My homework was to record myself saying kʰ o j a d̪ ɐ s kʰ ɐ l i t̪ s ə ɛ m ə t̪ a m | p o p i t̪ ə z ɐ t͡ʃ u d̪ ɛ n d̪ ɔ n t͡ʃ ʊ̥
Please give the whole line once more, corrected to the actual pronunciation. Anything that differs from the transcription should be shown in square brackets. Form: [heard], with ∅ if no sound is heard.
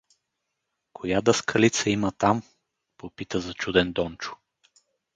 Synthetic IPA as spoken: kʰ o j a d̪ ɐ s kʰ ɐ l i t̪ s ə [i] m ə t̪ a m | p o p i t̪ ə z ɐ t͡ʃ u d̪ ɛ n d̪ ɔ n t͡ʃ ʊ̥